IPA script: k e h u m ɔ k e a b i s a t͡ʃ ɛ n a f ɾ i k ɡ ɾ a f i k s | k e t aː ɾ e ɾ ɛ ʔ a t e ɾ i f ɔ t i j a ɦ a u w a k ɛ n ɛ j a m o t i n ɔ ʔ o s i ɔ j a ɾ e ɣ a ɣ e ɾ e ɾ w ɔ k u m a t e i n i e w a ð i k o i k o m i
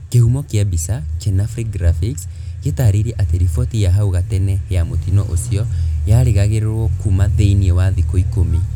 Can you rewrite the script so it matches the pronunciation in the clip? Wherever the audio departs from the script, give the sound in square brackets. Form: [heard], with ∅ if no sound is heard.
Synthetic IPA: k e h u m ɔ k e a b i s a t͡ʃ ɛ n a f ɾ i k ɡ ɾ a f i k s | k e t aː ɾ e ɾ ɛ ʔ a t e ɾ i f ɔ t i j a ɦ a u [ɣ] a [t] ɛ n ɛ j a m o t i n ɔ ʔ o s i ɔ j a ɾ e ɣ a ɣ e ɾ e ɾ w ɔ k u m a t e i n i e w a ð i k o i k o m i